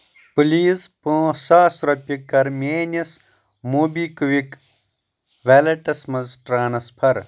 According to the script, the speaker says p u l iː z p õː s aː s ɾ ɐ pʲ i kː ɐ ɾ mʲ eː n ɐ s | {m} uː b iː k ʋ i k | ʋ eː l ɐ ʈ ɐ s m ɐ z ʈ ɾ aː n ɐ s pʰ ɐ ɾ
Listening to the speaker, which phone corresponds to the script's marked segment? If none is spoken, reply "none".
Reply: m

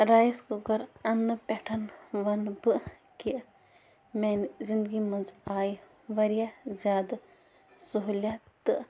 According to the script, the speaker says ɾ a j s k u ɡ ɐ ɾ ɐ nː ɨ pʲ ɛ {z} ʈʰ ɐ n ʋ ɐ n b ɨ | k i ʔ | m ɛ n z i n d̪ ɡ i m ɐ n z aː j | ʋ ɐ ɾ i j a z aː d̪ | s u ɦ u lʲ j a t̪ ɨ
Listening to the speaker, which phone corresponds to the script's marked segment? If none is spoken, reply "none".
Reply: none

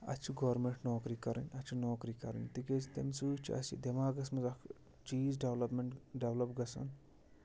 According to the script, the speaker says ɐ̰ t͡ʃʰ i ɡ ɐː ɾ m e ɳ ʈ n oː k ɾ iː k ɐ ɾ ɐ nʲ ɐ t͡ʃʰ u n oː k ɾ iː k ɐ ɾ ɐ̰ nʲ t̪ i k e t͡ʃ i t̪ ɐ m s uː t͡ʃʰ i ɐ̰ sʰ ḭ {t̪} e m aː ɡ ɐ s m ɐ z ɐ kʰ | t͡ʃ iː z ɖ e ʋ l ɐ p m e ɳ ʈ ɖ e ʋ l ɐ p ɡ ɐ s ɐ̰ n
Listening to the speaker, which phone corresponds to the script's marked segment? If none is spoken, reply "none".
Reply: d̪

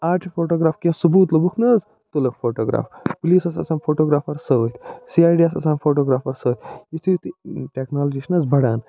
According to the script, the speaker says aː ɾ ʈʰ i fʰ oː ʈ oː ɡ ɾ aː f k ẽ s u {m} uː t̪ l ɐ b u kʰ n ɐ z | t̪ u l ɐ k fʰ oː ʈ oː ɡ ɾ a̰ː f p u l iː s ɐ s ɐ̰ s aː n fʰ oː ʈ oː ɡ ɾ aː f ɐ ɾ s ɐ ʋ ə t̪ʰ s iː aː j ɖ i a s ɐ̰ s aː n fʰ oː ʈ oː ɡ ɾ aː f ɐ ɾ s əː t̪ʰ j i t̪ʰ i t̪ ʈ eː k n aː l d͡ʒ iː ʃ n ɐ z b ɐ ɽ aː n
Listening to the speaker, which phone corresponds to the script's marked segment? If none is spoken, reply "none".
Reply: b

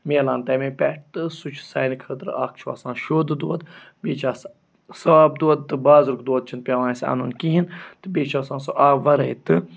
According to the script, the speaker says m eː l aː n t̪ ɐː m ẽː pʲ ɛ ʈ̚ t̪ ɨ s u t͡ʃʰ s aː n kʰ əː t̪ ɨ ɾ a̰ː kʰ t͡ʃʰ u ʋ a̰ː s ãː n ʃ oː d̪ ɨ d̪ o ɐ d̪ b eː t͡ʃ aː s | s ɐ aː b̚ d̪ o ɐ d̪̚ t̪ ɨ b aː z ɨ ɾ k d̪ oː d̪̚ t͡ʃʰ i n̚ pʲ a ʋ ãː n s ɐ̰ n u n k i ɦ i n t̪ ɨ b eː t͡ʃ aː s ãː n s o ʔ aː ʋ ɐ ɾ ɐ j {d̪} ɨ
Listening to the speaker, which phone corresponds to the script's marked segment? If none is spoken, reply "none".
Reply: t̪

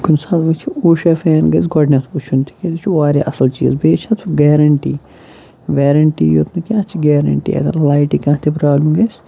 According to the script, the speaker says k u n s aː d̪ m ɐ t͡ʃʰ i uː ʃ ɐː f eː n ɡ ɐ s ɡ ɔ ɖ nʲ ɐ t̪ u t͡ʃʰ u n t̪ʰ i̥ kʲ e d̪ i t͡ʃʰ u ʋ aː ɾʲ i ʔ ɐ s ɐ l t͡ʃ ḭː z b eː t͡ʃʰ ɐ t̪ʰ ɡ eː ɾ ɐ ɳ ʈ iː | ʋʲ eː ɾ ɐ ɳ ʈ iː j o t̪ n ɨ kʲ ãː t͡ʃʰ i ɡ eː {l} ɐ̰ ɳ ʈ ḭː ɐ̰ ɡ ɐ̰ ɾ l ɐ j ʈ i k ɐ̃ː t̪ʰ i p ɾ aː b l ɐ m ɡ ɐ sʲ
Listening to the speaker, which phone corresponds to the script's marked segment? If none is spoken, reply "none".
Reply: ɾ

